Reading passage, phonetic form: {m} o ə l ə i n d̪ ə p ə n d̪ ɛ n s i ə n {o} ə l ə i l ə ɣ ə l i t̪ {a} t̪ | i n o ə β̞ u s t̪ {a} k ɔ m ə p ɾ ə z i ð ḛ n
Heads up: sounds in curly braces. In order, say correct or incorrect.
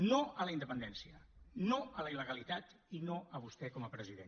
incorrect: n, correct, correct, incorrect: ɛ

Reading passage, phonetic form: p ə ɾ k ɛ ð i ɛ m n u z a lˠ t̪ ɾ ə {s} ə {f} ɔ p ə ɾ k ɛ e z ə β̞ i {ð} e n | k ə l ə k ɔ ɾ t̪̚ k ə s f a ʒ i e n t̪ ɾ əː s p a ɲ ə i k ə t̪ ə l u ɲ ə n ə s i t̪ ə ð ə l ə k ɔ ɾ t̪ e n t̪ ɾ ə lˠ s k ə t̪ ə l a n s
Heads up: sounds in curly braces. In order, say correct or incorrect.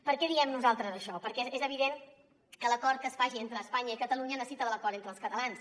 incorrect: z, incorrect: ʃ, correct

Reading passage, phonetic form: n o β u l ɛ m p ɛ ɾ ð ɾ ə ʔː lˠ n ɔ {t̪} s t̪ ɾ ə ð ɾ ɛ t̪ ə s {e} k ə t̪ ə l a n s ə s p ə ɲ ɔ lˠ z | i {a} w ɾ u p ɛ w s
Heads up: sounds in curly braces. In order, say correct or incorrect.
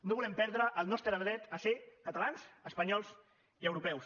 incorrect: none, correct, incorrect: ə

